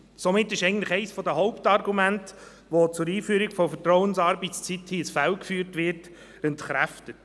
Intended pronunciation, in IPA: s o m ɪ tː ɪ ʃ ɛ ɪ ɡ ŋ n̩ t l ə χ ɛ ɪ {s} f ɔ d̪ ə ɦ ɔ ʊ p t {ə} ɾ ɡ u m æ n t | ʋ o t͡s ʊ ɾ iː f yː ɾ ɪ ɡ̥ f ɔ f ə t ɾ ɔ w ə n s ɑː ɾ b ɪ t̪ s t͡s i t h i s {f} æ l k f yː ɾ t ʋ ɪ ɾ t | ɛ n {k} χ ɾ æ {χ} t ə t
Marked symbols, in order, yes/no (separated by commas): yes, no, yes, no, no